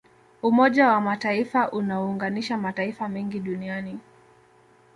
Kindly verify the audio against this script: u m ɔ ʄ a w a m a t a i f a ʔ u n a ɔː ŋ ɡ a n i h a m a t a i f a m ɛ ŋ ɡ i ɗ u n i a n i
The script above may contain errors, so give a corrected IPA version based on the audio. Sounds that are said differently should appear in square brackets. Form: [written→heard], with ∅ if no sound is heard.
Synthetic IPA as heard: u m ɔ ʄ a w a m a t a i f a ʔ u n a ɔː ŋ ɡ a n i [h→ʃ] a m a t a i f a m ɛ ŋ ɡ i ɗ u n i a n i